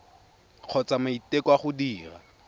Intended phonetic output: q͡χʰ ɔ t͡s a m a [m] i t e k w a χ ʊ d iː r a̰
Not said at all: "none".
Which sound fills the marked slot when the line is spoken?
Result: none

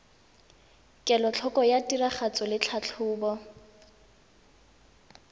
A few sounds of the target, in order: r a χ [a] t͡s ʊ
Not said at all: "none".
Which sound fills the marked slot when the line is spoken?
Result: a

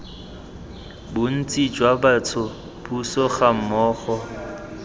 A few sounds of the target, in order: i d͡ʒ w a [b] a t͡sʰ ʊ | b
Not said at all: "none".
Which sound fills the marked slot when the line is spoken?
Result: b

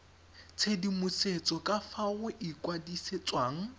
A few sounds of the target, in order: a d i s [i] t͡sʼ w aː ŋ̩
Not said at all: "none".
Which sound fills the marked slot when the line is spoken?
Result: e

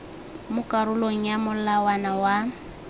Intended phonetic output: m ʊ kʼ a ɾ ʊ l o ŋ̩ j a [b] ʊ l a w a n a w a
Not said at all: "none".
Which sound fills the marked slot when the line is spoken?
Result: m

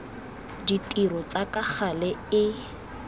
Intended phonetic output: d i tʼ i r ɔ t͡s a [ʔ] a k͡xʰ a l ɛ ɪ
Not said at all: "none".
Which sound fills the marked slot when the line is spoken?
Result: k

